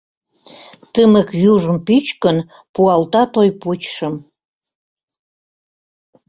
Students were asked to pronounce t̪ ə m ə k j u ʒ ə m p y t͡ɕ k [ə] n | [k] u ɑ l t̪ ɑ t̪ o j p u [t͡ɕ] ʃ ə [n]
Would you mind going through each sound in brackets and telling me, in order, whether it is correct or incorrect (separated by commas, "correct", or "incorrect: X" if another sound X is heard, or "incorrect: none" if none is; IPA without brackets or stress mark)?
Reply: correct, incorrect: p, correct, incorrect: m